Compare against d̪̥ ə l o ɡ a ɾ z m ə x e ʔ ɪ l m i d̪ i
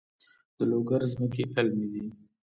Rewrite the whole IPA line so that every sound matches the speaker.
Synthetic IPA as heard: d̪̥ ə l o ɡ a ɾ z m ə k e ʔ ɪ l m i d̪ i